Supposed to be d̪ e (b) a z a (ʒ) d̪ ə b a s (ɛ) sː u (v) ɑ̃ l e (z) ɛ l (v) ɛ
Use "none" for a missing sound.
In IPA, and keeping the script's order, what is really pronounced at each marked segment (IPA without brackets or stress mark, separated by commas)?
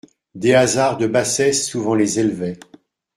none, ʁ, ɛ, v, z, v